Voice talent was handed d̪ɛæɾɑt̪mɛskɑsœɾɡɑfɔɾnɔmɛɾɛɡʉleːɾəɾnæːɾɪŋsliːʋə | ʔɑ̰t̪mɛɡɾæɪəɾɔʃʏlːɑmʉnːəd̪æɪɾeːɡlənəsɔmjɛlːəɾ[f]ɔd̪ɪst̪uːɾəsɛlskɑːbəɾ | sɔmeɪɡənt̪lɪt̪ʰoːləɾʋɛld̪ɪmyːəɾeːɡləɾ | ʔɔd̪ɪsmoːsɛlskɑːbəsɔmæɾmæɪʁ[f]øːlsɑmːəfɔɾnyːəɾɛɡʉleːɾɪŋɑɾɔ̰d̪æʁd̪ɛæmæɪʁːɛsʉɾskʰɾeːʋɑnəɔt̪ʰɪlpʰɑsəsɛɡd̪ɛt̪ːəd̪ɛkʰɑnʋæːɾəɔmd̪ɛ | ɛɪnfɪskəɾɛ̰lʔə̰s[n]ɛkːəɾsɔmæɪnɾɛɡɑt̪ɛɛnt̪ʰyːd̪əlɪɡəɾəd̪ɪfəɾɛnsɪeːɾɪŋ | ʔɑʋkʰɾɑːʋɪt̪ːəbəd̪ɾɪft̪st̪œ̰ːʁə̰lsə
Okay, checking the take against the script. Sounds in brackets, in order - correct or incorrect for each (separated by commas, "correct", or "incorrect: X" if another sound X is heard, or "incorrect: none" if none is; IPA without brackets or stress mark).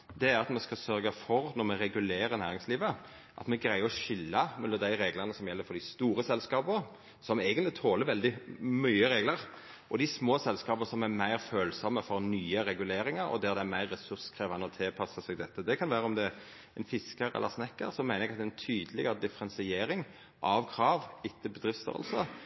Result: correct, correct, correct